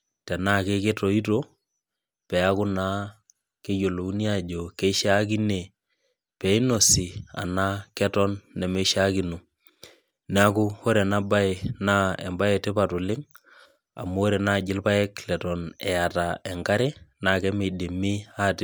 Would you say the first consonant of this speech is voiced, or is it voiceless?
voiceless